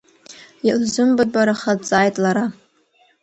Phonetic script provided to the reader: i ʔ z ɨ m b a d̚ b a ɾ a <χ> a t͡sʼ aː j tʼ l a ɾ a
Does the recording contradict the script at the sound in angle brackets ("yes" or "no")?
no